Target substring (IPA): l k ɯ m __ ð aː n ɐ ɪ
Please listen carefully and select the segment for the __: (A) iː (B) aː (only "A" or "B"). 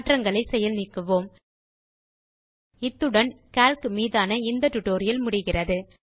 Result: A